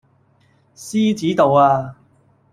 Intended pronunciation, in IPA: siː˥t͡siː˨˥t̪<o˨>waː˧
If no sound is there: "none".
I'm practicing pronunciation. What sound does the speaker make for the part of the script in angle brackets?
o˨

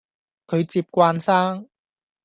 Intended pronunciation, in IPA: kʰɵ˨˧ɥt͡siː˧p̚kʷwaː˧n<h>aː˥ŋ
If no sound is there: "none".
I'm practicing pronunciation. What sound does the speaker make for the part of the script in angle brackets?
s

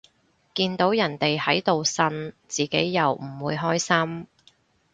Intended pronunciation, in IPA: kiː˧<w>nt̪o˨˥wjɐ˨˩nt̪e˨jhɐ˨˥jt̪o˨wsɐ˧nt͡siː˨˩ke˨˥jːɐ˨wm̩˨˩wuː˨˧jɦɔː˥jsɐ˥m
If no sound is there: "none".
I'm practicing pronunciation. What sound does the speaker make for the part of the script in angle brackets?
none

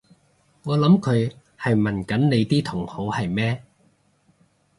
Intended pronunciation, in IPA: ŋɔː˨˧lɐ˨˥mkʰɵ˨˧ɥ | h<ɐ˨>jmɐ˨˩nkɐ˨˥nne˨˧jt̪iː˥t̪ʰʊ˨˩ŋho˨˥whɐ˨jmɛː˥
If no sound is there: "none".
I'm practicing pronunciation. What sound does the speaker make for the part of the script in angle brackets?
ɐ˨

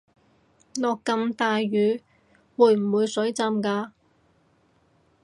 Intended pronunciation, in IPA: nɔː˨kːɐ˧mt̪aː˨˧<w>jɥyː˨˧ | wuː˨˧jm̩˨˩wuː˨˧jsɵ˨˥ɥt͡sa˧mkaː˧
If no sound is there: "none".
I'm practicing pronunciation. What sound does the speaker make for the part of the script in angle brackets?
none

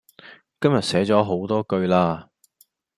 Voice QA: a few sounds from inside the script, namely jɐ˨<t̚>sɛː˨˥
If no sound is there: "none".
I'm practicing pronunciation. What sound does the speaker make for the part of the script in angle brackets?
t̚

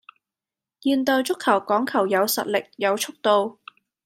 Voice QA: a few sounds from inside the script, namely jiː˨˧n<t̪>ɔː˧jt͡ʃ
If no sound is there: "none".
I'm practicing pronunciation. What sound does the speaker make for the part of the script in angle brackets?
t̪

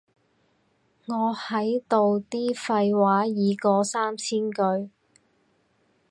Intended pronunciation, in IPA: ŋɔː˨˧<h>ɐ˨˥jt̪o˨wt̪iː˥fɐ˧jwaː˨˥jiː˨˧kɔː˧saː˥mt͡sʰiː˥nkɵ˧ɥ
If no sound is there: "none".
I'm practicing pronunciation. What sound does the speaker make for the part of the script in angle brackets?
h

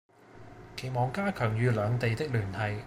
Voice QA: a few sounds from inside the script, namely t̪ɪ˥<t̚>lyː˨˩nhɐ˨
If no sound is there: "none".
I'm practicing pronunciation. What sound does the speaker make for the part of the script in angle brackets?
k̚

